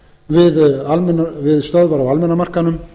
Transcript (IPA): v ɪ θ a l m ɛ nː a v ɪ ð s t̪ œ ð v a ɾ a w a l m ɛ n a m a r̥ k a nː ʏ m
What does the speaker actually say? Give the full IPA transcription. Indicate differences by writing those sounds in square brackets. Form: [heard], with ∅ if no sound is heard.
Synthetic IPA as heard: v ɪ [ð] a l m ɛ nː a v ɪ ð s t̪ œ ð v a ɾ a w a l m ɛ n a m a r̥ k a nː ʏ m